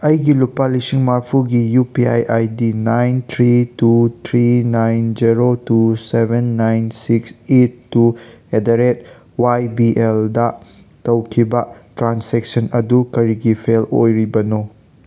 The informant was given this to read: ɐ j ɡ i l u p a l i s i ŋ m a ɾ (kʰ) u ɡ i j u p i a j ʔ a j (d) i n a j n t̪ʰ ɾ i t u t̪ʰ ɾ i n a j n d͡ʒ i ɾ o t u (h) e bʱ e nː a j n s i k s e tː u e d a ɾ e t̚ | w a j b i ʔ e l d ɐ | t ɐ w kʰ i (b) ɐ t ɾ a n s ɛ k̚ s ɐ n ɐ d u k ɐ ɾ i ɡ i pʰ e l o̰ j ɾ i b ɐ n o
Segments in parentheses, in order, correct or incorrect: incorrect, correct, incorrect, correct

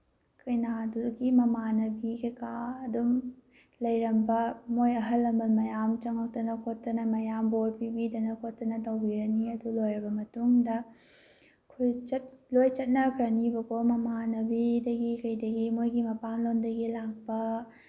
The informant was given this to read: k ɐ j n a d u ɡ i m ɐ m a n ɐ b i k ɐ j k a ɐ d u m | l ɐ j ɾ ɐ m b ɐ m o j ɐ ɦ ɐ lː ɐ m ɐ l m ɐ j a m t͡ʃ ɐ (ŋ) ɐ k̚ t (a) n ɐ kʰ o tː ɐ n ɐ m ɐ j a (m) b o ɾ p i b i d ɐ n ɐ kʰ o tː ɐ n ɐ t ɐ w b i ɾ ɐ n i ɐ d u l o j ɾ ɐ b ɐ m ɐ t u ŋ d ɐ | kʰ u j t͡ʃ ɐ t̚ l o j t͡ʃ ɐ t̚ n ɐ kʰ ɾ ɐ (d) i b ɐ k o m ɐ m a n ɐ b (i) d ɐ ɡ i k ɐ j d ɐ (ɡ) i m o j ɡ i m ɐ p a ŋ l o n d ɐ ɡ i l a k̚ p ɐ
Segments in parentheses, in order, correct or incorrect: correct, incorrect, correct, incorrect, correct, correct

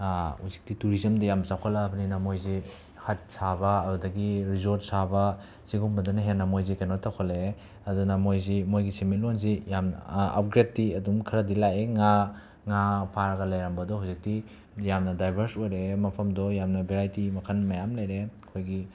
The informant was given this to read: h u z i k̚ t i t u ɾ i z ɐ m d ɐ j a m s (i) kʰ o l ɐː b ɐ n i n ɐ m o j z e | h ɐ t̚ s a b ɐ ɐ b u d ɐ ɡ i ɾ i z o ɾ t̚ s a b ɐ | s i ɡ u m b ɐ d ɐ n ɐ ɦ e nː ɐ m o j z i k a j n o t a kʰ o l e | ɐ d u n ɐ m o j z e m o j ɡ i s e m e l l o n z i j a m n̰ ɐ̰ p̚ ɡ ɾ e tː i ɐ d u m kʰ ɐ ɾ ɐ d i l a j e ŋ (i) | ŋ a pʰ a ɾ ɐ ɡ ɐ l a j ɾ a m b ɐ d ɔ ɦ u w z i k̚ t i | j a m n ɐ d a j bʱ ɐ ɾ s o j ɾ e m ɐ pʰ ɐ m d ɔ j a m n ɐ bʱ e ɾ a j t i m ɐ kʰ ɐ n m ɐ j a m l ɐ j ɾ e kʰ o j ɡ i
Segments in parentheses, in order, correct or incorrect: incorrect, incorrect

